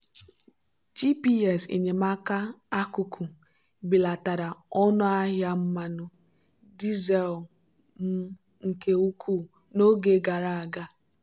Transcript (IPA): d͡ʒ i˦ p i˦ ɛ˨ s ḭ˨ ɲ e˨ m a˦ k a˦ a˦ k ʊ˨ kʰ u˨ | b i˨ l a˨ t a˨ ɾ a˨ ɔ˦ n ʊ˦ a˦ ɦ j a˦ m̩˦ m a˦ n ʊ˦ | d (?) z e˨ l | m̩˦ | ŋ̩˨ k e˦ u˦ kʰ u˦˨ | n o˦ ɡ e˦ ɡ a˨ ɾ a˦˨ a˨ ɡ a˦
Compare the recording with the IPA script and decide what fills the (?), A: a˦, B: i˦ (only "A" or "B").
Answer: B